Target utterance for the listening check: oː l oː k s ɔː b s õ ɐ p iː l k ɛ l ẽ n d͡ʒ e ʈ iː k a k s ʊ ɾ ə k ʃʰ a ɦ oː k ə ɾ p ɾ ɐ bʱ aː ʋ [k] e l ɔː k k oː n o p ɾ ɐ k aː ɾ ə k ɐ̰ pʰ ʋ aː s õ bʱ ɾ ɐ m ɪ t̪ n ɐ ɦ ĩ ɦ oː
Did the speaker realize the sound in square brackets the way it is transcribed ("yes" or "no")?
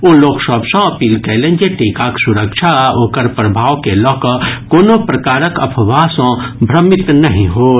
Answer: yes